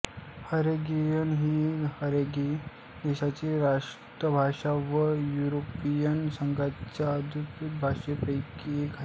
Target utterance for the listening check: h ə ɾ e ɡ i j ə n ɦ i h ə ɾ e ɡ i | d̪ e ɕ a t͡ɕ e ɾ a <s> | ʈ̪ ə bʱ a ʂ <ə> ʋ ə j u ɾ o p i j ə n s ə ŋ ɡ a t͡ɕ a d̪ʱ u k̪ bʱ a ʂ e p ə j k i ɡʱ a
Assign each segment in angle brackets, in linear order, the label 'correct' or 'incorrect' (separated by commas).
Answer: incorrect, incorrect